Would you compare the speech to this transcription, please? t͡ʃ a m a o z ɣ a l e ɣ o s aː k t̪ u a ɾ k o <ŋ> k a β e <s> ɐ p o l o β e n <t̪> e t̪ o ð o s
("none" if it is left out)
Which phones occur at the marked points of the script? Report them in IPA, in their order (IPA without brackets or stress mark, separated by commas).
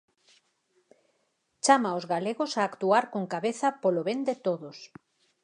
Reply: ŋ, θ, d̪